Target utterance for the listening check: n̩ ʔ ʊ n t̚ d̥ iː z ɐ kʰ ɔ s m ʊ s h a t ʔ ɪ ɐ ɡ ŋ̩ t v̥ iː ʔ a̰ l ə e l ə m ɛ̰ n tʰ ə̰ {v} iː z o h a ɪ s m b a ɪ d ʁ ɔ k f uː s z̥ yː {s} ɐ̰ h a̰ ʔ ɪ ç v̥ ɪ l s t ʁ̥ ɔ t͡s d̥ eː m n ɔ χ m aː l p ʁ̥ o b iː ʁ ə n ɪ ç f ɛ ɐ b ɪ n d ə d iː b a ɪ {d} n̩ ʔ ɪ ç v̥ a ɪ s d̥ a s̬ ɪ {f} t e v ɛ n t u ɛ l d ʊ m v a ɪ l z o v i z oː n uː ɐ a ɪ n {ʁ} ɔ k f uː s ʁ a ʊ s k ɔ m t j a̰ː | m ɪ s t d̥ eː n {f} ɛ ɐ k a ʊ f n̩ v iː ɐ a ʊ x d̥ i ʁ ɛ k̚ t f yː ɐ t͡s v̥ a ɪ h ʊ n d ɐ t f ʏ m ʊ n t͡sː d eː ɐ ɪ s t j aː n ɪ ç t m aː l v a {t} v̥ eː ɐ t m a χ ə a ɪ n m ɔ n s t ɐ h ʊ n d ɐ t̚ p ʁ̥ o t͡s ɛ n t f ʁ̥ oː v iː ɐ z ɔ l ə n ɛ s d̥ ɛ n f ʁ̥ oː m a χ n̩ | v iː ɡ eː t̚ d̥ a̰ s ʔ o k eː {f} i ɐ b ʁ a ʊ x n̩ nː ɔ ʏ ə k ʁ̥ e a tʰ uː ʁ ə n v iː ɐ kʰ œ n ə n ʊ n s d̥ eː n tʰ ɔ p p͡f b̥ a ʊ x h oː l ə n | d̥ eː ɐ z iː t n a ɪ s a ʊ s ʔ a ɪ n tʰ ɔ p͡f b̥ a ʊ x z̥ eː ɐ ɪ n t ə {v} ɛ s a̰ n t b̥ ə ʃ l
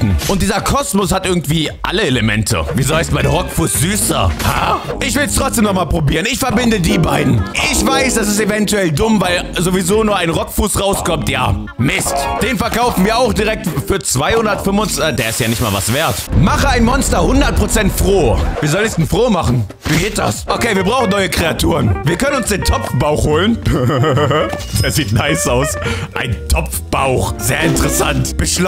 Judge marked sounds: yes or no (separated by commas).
yes, yes, yes, no, yes, yes, no, no, no